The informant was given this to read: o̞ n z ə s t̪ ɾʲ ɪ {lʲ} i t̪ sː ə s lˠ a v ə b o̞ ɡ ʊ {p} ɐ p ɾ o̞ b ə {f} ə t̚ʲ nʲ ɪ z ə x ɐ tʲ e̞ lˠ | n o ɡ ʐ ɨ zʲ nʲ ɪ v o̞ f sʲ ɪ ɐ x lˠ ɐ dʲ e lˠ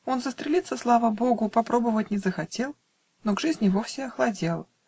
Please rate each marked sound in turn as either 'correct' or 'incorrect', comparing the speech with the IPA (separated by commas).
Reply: correct, correct, incorrect